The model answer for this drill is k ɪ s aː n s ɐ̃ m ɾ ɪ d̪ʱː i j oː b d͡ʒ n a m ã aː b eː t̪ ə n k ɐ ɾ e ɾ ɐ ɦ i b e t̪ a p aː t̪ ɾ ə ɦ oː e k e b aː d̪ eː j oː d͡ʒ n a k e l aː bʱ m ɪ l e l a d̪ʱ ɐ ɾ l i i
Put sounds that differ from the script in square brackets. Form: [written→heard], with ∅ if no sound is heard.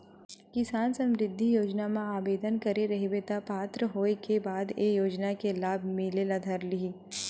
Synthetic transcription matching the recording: k ɪ s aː n s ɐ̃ m ɾ ɪ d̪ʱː i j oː [b→∅] d͡ʒ n a m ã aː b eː [t̪→d̪] ə n k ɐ ɾ e ɾ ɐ ɦ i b e t̪ a p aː t̪ ɾ ə ɦ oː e k e b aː d̪ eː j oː d͡ʒ n a k e l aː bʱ m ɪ l e l a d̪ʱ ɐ ɾ l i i